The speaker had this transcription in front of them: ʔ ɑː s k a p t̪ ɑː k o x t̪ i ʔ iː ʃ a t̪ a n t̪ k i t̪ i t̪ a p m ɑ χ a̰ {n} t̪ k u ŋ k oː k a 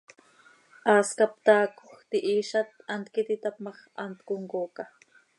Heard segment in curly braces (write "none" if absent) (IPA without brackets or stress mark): n